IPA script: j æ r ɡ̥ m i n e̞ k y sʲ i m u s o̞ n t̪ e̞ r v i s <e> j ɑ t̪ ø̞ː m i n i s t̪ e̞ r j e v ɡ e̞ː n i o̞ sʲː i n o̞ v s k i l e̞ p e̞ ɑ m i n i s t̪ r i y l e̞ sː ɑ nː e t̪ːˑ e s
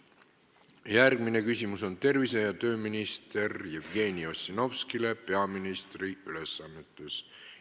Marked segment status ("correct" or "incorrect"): correct